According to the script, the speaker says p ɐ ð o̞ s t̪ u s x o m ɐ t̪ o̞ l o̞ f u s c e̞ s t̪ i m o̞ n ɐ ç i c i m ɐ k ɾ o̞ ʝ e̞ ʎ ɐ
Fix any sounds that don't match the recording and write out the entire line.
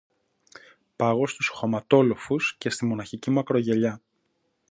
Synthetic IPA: p ɐ ɣ o̞ s t̪ u s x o m ɐ t̪ o̞ l o̞ f u s c e̞ s t̪ i m o̞ n ɐ ç i c i m ɐ k ɾ o̞ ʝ e̞ ʎ ɐ